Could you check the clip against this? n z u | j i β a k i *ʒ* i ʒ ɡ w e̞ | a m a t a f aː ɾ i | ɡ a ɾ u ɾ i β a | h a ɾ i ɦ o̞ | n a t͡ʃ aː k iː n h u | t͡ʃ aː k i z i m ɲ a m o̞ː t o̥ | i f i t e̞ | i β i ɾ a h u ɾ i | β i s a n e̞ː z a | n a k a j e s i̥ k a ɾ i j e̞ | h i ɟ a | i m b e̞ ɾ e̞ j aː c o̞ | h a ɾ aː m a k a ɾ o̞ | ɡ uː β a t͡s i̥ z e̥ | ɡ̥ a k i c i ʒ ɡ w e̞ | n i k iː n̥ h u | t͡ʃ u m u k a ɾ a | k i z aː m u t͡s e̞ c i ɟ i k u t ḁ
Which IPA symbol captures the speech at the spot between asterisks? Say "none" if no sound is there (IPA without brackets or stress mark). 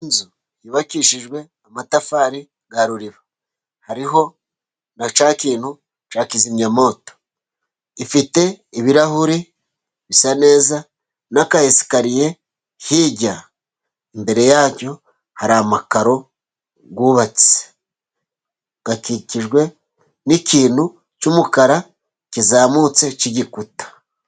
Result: ʃ